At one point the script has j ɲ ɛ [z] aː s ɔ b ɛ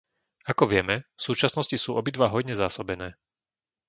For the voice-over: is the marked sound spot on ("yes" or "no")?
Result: yes